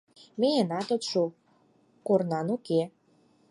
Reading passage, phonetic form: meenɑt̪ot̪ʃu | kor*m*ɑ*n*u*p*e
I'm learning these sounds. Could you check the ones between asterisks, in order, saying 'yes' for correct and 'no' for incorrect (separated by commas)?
no, yes, no